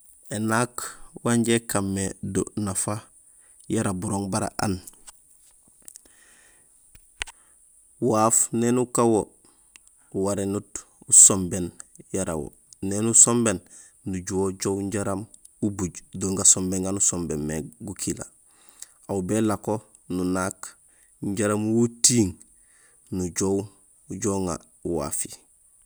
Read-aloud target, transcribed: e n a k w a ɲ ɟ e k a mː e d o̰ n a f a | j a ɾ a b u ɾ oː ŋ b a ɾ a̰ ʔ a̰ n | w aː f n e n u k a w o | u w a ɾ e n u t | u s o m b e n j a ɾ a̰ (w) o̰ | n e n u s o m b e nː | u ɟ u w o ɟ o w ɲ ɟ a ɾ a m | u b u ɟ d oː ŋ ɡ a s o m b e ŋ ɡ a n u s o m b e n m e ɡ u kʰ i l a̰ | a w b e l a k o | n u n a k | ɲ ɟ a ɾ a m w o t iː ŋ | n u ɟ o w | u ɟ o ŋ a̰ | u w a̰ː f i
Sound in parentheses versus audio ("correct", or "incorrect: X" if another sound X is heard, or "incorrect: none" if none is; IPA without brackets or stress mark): correct